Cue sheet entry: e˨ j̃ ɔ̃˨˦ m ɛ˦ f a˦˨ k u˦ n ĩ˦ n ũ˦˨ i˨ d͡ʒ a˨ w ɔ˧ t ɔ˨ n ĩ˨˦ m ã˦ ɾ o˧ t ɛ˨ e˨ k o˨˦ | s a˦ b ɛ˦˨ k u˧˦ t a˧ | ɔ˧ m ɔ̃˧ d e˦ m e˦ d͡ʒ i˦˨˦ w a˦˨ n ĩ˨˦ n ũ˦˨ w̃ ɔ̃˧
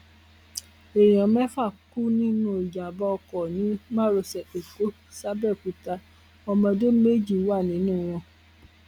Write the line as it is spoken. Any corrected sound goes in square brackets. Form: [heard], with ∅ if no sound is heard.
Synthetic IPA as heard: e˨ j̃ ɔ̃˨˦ m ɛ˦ f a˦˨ k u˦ n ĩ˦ n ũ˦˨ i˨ d͡ʒ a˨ [b] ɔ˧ [k] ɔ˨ n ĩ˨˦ m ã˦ ɾ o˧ [s] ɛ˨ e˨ k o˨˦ | s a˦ b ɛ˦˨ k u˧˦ t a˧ | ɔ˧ m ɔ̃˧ d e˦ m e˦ d͡ʒ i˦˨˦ w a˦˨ n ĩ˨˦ n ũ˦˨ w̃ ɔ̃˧